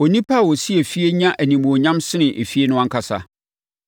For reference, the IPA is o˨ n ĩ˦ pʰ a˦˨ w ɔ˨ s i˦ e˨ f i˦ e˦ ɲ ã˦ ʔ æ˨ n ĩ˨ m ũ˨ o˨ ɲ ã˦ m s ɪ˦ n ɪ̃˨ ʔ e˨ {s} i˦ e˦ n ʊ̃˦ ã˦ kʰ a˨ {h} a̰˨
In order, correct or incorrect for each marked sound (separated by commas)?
incorrect, incorrect